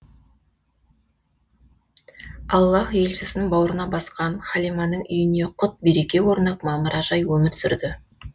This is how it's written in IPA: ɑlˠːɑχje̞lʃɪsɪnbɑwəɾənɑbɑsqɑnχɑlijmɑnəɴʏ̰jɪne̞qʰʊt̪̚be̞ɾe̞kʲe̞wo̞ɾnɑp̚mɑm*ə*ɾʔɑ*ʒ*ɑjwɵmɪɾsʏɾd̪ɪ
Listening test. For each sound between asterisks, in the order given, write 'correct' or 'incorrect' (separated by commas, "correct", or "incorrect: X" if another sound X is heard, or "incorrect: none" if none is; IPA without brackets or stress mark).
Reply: correct, correct